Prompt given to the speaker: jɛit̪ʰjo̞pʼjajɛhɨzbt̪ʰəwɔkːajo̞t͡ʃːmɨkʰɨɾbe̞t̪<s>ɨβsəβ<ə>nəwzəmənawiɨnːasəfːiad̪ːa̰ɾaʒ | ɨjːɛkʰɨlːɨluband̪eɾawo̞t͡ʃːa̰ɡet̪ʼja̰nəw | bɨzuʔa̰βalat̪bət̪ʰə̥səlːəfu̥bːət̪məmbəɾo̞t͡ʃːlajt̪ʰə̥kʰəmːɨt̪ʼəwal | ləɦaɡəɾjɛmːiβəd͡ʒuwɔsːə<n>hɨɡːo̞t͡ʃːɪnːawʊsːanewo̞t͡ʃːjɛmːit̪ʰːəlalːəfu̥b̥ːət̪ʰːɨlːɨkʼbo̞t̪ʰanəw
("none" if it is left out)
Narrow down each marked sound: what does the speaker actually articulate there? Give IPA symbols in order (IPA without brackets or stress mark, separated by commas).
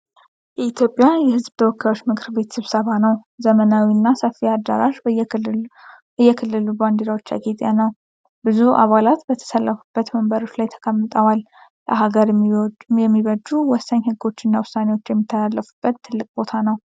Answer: s, a, ɲ